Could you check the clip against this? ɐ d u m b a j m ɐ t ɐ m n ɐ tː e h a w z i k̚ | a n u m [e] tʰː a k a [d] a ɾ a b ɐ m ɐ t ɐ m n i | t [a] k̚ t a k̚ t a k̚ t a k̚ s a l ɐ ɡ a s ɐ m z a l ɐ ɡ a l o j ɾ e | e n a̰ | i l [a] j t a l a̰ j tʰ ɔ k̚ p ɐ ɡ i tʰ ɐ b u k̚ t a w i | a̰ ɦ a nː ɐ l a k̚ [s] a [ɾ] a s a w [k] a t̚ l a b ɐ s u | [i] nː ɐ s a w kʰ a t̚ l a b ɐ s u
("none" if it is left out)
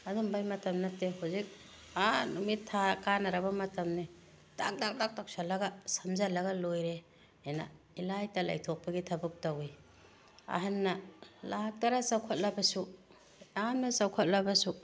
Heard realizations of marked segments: i, n, a, a, t, ɾ, kʰ, a

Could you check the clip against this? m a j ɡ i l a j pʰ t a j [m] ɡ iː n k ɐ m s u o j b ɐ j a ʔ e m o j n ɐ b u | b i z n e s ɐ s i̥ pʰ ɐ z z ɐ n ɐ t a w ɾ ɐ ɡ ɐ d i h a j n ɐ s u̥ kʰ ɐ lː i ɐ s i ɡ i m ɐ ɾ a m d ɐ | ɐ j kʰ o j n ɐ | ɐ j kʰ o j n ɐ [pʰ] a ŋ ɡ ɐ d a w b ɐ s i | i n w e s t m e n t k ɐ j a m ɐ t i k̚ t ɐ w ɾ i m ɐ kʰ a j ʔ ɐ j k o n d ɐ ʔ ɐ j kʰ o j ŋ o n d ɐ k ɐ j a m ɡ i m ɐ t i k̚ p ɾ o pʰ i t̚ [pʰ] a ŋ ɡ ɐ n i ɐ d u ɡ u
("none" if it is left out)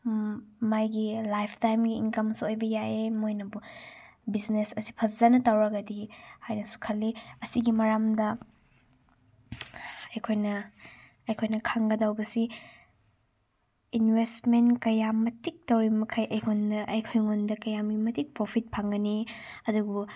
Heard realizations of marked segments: m, kʰ, pʰ

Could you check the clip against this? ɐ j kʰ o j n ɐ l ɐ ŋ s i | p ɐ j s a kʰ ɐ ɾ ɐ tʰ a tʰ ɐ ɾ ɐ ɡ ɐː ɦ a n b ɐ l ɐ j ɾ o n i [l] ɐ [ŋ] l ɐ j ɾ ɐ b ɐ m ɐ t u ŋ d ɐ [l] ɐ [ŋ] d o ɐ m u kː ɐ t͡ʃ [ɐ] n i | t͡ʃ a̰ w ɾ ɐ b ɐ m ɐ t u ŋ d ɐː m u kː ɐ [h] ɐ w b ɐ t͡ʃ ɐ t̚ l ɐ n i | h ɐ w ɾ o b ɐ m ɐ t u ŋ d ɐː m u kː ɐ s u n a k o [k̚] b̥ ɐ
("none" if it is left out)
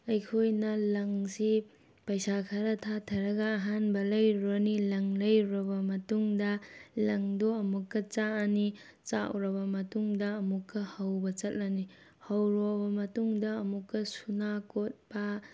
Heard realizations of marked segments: l, ŋ, l, ŋ, a, h, t̚

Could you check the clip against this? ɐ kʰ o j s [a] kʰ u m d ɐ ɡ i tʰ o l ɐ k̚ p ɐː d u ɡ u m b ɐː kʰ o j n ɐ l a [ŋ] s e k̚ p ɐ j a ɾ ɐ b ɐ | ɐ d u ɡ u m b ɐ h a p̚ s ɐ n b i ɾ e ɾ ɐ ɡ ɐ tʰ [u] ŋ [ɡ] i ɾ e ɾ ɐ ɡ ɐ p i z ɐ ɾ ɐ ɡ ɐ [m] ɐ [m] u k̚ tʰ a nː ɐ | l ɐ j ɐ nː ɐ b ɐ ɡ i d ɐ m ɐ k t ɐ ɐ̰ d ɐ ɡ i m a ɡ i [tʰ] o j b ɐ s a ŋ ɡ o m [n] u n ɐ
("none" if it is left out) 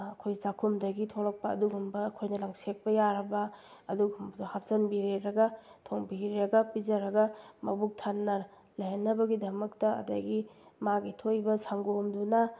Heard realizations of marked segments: a, ŋ, o, b, m, b, tʰ, d

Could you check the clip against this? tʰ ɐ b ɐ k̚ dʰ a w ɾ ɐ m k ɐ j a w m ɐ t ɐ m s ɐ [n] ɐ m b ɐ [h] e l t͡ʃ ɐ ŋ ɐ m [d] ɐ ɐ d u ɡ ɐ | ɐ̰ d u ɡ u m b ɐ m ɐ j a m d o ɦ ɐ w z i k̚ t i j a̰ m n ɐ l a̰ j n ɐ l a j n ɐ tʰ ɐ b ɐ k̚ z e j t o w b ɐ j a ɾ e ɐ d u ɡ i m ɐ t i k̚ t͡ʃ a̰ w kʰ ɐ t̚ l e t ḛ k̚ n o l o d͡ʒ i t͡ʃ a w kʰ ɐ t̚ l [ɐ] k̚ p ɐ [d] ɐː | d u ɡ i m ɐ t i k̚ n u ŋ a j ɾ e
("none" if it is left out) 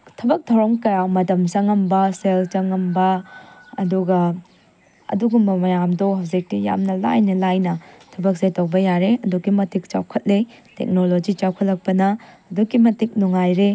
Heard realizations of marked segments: ŋ, s, b, ɐ, n

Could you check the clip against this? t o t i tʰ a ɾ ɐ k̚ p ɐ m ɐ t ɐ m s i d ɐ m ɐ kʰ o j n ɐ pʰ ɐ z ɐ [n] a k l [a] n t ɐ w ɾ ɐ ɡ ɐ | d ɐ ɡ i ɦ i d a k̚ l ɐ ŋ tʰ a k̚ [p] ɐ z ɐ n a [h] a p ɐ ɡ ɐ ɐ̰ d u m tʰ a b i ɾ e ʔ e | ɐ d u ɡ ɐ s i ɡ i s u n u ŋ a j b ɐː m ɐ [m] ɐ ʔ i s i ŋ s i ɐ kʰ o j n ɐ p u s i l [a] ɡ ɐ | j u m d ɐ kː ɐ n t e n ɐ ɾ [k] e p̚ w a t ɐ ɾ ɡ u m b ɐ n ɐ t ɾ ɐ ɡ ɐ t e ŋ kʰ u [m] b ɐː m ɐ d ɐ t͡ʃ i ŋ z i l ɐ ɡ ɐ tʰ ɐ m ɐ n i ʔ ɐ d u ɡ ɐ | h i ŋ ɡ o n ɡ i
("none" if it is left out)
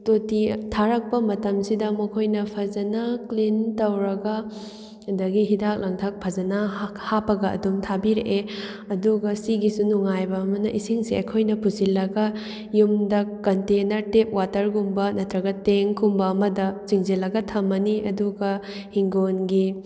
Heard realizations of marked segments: n, i, pʰ, h, n, ɐ, t, m

